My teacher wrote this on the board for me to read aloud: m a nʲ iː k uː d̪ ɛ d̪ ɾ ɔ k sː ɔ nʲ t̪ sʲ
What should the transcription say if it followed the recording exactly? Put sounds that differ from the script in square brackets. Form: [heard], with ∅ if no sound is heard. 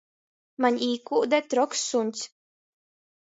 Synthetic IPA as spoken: m a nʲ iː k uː d̪ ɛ [t̪] ɾ ɔ k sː [u] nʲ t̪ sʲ